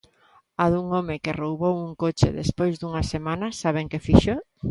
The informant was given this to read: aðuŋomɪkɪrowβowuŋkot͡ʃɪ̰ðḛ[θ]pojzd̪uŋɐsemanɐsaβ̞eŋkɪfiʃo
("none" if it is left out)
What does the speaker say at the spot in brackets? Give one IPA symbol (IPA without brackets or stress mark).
s